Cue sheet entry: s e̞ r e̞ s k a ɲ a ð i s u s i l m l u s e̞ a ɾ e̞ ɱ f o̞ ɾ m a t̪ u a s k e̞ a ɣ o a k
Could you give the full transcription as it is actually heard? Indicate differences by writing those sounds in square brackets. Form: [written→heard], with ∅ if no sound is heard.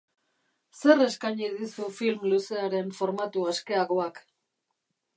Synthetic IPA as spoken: s e̞ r e̞ s k a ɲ [a→i] ð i s u [s→f] i l m l u s e̞ a ɾ e̞ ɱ f o̞ ɾ m a t̪ u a s k e̞ a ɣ o a k